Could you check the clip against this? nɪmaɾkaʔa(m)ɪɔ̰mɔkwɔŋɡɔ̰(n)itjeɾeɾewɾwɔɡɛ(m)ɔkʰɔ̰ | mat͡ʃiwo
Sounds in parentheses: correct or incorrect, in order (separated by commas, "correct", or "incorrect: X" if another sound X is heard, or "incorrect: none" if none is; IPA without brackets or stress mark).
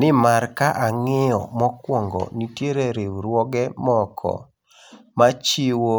incorrect: ŋ, correct, correct